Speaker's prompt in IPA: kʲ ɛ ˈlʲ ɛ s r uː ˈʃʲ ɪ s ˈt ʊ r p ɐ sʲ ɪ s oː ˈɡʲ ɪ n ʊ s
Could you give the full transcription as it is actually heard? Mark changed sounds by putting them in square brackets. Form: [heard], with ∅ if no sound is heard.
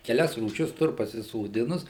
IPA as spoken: kʲ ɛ ˈlʲ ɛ s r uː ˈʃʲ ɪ s ˈt ʊ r p ɐ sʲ ɪ s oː [ˈdʲ] ɪ n ʊ s